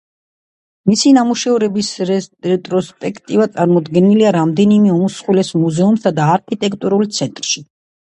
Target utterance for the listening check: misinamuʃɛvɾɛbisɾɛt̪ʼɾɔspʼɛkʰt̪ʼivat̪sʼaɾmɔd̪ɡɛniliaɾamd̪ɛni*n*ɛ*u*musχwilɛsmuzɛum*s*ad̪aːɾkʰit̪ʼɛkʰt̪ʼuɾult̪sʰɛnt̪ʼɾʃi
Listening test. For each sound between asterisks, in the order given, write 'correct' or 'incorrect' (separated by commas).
incorrect, incorrect, correct